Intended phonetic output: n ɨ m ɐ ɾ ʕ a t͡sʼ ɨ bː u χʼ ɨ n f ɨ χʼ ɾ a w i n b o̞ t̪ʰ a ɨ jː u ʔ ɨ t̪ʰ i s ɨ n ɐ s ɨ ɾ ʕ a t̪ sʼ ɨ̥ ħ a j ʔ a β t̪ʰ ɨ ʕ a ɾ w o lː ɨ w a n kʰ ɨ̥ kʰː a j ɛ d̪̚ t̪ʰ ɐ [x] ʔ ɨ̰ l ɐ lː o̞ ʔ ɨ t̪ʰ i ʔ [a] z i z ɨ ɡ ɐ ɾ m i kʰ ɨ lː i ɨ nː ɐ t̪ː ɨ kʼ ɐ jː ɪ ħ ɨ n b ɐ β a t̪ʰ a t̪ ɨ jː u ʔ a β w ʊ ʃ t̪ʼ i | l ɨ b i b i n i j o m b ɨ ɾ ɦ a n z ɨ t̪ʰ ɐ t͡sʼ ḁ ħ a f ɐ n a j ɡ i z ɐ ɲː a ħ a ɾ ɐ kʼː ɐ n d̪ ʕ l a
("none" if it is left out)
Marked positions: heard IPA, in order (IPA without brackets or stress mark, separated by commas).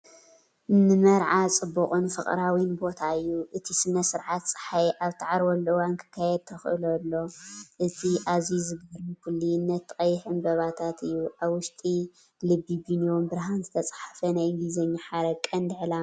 x, a